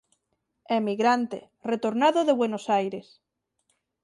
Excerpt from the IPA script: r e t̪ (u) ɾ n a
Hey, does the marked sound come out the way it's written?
no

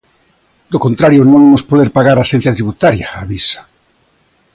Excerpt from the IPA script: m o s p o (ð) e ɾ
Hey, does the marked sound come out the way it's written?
yes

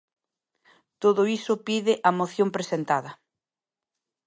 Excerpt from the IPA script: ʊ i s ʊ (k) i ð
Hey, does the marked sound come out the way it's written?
no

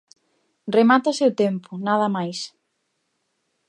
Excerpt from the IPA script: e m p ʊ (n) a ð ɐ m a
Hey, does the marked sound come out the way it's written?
yes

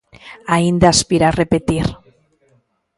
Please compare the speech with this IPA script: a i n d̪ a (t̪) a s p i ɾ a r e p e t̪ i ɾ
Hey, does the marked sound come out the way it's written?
no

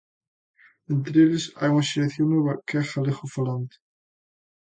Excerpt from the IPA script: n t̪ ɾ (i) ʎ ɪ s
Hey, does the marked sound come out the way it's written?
no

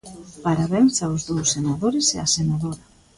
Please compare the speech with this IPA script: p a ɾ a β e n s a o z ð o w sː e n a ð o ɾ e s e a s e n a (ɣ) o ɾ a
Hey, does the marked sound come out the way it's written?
no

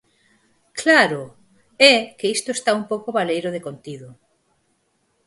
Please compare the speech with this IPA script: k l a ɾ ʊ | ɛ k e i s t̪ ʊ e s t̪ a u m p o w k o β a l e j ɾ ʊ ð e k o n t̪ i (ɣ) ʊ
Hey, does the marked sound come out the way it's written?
no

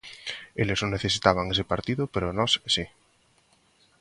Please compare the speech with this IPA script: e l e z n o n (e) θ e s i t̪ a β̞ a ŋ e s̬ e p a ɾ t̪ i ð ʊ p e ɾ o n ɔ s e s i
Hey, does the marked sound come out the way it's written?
yes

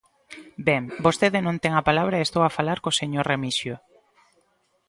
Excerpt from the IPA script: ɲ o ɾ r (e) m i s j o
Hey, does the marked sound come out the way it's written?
yes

